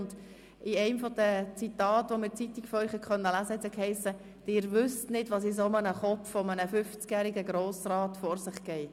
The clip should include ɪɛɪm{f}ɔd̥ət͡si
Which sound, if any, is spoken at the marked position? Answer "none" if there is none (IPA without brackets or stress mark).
f